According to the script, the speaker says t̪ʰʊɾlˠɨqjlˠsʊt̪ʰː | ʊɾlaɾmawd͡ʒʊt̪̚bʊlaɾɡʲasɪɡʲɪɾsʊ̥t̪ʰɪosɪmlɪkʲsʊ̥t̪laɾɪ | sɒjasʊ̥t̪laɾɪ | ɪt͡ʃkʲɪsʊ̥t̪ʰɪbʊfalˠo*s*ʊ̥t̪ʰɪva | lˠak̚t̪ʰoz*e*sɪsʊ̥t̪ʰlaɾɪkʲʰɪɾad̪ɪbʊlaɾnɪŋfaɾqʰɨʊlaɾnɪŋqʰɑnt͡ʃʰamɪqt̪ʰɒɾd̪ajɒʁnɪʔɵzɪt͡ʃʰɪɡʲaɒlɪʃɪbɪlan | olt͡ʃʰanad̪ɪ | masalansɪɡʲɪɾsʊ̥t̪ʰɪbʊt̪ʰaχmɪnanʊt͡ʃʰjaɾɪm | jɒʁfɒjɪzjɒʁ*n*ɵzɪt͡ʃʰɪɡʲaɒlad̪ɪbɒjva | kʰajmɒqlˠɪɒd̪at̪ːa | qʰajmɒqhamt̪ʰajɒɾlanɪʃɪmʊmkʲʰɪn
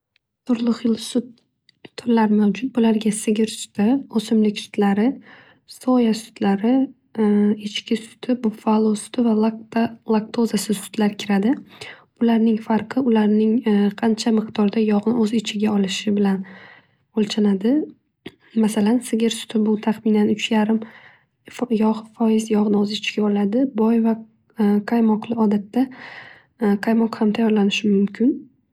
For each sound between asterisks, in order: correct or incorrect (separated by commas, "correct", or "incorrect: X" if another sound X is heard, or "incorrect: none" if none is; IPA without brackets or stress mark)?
correct, incorrect: a, correct